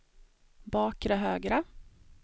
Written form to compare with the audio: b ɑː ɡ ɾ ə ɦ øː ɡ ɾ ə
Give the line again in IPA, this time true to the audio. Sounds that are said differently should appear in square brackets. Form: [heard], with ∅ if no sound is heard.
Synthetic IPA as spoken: b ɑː [k] ɾ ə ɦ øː ɡ ɾ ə